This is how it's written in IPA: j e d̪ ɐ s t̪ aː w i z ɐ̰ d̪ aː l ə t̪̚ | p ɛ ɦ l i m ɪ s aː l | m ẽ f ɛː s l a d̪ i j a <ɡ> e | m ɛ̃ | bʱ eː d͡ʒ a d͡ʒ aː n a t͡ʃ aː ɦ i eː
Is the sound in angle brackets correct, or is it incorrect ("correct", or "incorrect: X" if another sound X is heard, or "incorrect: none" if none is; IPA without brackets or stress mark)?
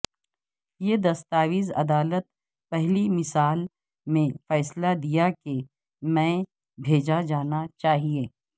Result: incorrect: k